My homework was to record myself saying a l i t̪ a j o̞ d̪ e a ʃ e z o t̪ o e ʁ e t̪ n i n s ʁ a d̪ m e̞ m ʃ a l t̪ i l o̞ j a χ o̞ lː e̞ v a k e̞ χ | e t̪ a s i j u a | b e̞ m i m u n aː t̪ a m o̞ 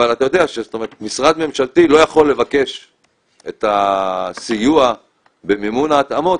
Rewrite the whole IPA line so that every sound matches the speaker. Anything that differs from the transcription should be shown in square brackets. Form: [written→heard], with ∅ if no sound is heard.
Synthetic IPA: a l [i→a] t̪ a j o̞ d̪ e a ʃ e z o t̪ o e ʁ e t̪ [n→m] i [n→∅] s ʁ a d̪ m e̞ m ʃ a l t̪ i l o̞ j a χ o̞ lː e̞ v a k e̞ [χ→ʃ] | e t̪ a s i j u a | b e̞ m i m u n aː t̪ a m o̞

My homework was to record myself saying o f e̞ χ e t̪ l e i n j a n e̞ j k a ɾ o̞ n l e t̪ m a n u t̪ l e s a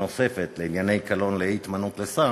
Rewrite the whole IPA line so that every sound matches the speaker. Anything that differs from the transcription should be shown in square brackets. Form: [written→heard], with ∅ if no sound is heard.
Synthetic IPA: o [f→s] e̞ [χ→f] e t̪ l e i n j a n e̞ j k a [ɾ→l] o̞ n l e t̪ m a n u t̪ l e s a

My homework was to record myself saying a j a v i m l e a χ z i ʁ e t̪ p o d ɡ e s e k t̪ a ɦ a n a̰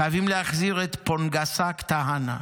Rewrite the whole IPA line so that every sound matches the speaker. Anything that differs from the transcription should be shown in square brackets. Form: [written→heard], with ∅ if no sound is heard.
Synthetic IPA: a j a v i m l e a χ z i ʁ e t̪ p o [d→n] ɡ [e→a] s [e→a] k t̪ a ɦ a n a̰

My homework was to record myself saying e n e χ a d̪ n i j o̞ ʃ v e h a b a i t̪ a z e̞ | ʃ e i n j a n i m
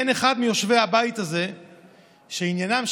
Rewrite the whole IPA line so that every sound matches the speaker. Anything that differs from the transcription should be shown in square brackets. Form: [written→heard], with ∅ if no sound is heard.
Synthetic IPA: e n e χ a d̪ [n→m] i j o̞ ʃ v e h a b a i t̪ a z e̞ | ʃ e i n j a n [i→a] m

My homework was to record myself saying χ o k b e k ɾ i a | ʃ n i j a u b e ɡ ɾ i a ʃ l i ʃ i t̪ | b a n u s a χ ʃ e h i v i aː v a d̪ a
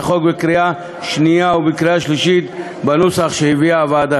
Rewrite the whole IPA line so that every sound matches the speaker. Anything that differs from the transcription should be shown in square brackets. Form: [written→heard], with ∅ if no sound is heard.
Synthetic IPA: χ o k b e k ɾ i a | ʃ n i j a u b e [ɡ→k] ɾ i a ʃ l i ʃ i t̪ | b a n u s a χ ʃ e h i v i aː v a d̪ a

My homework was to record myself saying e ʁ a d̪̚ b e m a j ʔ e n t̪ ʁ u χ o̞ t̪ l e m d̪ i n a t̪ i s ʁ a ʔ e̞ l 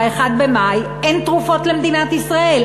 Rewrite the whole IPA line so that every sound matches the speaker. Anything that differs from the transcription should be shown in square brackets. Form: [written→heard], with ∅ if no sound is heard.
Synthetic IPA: e [ʁ→χ] a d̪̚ b e m a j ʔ e n t̪ ʁ u [χ→f] o̞ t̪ l e m d̪ i n a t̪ i s ʁ a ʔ e̞ l

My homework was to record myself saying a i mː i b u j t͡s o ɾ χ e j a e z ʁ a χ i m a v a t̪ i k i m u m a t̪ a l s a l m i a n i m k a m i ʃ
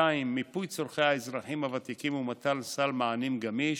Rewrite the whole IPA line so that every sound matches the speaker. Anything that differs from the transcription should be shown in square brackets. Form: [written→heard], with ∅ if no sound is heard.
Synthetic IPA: a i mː i [b→p] u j t͡s o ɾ χ e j a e z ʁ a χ i m a v a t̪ i k i m u m a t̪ a l s a l m [i→a] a n i m [k→ɡ] a m i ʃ

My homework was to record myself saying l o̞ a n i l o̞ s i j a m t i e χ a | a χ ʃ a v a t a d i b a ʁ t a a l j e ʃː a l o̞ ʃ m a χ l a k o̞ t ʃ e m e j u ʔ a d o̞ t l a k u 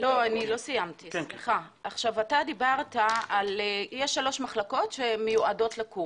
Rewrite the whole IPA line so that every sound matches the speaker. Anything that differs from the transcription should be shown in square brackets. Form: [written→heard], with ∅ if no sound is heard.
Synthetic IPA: l o̞ a n i l o̞ s i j a m t i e χ a | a χ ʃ a v a t a d i b a ʁ t a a l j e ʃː a l o̞ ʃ m a χ l a k o̞ t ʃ e m e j u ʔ a d o̞ t l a k u

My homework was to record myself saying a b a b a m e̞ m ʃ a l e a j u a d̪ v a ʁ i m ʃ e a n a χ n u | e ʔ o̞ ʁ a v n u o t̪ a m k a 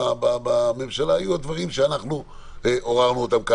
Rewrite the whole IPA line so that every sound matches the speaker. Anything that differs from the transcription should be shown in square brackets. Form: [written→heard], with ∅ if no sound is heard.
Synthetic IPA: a b a b a m e̞ m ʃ a l [e→a] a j u a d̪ v a ʁ i m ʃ e a n a χ n u | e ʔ o̞ ʁ a [v→ʁ] n u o t̪ a m k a

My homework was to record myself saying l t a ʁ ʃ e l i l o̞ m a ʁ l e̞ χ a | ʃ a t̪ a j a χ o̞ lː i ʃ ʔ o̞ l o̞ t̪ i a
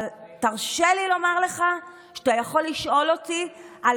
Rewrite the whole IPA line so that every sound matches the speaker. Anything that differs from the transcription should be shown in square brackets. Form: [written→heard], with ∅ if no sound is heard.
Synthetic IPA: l t a ʁ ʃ e l i l o̞ m a ʁ l e̞ χ a | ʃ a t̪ a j a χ o̞ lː i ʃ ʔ o̞ l o̞ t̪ i a

